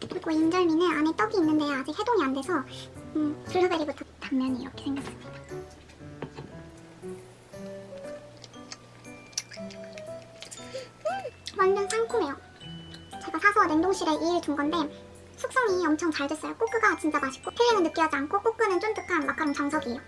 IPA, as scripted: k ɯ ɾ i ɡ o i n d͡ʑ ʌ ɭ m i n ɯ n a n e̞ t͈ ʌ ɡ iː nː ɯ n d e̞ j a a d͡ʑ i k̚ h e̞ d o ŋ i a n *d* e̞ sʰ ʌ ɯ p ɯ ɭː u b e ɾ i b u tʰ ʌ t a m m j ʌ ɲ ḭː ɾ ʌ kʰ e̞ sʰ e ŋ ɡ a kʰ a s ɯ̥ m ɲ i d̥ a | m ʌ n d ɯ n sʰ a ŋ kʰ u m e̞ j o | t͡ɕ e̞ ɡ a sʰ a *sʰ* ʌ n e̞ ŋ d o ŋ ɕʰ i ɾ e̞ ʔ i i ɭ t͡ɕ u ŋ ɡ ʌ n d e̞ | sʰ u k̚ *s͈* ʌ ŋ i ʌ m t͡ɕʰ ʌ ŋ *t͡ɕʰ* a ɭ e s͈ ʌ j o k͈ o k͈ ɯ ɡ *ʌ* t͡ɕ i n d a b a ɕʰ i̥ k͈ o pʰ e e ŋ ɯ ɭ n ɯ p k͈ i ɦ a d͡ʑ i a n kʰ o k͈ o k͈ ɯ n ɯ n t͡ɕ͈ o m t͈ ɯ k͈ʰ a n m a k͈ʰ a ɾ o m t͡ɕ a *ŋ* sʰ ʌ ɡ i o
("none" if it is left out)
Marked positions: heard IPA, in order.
d, sʰ, s͈, t͡ɕ, a, ŋ

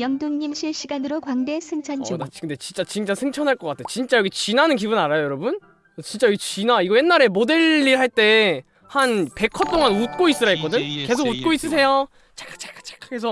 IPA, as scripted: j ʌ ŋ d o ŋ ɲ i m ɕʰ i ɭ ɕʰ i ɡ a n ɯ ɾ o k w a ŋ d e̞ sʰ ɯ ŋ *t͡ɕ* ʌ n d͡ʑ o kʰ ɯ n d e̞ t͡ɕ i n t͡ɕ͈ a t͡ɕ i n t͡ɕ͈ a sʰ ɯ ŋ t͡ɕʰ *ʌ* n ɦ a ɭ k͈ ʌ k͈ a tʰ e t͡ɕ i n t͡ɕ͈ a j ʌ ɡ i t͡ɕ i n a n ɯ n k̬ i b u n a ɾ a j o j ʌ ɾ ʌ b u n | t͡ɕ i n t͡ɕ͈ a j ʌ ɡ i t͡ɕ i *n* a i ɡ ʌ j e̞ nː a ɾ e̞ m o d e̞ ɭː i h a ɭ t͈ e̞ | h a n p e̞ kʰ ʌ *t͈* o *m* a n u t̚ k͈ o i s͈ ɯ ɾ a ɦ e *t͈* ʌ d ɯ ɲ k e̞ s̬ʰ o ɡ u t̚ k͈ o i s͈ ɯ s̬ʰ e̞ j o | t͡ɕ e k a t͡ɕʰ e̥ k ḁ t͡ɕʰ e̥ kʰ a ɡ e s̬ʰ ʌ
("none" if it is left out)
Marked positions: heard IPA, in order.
t͡ɕʰ, ʌ, n, t͈, ŋ, k͈

